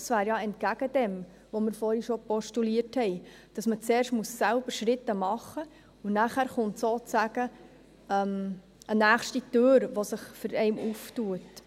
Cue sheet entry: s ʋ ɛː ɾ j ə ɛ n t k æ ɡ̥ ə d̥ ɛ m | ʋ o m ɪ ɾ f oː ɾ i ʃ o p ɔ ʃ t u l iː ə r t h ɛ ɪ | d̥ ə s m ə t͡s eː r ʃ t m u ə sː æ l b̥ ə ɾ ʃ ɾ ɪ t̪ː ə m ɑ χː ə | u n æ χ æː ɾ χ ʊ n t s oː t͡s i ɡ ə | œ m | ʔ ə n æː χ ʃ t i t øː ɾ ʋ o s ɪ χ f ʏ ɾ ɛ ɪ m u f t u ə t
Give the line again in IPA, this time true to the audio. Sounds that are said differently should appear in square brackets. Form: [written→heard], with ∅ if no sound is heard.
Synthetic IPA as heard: s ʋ [ɛː→æː] ɾ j [ə→ɑ] ɛ n t k æ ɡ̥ ə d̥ ɛ m | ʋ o m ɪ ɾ f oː ɾ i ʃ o p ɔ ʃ t u l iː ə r t h ɛ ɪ | d̥ [ə→ɑ] s m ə t͡s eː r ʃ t m u ə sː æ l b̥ ə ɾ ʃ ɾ ɪ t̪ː ə m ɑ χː ə | u n æ χ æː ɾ χ ʊ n t s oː t͡s [i→æ] ɡ ə | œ m | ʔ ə n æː χ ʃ t i t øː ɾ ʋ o s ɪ χ f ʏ ɾ ɛ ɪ m u f t u ə t